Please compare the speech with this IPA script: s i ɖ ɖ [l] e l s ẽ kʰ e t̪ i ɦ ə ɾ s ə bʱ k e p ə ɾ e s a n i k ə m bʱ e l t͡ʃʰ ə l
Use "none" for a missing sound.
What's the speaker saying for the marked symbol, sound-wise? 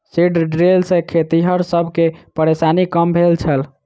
ɾ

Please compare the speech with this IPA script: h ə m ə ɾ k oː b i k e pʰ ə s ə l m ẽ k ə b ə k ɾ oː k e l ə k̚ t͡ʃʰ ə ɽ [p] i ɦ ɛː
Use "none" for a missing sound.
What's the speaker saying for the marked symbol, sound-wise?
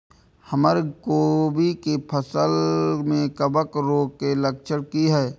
k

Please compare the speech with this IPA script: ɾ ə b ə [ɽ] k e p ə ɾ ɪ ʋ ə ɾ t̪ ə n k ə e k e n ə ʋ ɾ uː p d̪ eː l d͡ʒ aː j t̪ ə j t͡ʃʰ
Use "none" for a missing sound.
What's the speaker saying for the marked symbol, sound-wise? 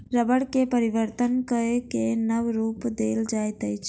ɽ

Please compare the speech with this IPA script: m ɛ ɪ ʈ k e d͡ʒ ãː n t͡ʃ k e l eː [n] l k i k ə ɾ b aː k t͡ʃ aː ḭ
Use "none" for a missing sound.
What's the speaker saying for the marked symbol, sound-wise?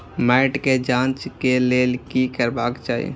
none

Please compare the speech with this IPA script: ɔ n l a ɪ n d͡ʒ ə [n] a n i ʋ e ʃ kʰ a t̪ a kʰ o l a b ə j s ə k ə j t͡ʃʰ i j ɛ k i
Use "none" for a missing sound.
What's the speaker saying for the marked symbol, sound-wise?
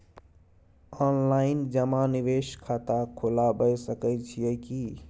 m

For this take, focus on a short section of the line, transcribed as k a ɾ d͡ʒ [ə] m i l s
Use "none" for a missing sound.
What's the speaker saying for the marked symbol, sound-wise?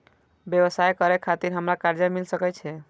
a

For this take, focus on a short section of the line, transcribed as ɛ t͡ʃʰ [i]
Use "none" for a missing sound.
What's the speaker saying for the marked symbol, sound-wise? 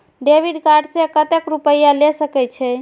ɛ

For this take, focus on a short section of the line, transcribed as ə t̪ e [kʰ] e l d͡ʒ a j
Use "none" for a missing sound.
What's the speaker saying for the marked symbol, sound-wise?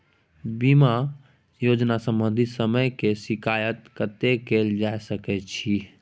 k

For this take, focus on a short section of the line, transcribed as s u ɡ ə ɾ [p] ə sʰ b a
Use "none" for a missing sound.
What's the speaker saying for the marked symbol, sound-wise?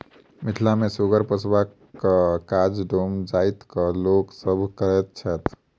p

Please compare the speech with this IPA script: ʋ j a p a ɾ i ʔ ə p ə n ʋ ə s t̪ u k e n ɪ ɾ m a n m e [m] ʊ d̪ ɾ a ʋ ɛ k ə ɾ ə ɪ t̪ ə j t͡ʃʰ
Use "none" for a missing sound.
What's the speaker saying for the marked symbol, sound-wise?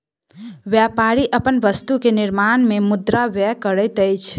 m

